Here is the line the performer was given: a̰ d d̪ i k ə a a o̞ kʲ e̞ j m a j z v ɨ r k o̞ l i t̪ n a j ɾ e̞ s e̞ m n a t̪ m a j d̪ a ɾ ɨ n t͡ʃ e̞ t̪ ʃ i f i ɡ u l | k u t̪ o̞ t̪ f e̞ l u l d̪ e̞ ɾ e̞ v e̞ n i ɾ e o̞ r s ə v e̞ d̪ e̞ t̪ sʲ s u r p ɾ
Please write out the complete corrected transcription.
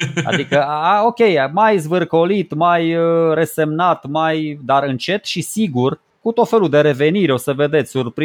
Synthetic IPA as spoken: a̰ d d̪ i k ə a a o̞ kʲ e̞ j m a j z v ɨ r k o̞ l i t̪ m a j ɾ e̞ s e̞ m n a t̪ m a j d̪ a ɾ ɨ n t͡ʃ e̞ t̪ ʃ i s i ɡ u r | k u t̪ o̞ t̪ f e̞ l u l d̪ e̞ ɾ e̞ v e̞ n i ɾ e o̞ s ə v e̞ d̪ e̞ t̪ sʲ s u r p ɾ